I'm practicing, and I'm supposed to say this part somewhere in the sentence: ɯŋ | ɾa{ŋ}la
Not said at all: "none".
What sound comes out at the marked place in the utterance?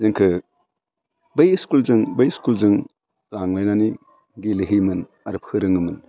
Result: ŋ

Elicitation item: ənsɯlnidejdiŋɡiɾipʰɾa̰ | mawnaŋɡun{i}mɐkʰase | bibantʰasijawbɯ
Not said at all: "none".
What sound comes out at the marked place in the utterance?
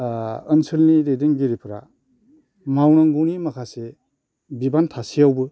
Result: i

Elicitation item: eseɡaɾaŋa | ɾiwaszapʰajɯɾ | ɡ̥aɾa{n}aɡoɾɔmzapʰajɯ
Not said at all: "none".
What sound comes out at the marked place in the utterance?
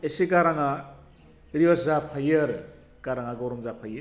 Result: ŋ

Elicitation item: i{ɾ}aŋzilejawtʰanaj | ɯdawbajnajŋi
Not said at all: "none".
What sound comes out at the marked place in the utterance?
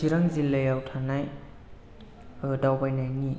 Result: ɾ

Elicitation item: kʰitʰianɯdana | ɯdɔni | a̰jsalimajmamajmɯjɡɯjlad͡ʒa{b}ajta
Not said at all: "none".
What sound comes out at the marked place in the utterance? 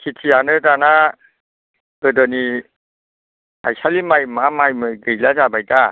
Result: b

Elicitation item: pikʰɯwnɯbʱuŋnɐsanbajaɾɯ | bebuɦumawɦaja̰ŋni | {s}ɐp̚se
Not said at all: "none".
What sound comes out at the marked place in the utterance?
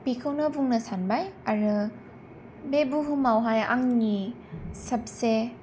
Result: s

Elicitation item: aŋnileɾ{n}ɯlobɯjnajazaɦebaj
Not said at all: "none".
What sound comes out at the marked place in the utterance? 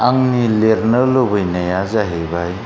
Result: n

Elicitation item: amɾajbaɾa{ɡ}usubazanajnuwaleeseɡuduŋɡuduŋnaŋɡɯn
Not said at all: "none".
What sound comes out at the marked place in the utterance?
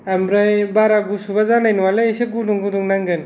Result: ɡ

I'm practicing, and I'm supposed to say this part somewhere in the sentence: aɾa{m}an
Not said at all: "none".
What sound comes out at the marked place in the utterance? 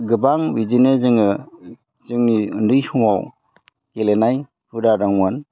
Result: ŋ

